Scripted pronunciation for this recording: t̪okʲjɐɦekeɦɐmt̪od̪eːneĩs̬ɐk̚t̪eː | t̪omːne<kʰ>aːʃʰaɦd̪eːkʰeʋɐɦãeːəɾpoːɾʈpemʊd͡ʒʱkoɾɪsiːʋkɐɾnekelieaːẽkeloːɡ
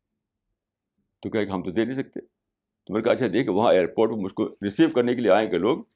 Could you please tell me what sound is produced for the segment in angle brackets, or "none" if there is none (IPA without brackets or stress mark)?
k